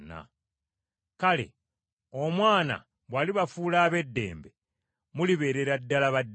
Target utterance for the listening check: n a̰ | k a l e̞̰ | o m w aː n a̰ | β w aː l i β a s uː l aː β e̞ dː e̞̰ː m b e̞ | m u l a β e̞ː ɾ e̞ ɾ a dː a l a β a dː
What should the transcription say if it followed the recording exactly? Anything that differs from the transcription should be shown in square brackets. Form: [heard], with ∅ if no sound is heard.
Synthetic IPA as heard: n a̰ | k a l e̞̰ | o m w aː n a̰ | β w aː l i β a [f] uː l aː β e̞ dː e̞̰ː m b e̞ | m u l [i] β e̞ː ɾ e̞ ɾ a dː a l a β a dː